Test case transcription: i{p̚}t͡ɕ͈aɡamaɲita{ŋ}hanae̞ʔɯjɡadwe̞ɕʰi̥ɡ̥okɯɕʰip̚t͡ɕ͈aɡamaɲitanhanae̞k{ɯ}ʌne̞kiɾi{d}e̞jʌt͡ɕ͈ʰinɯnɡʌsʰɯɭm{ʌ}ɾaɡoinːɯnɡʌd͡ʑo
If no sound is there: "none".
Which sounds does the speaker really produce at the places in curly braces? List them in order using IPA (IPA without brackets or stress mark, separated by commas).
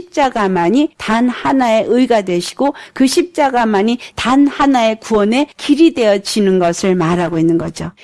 p̚, n, u, d, a